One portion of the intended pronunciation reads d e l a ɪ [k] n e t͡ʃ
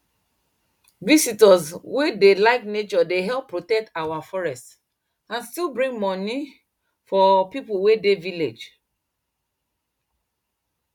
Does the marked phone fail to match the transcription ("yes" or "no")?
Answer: no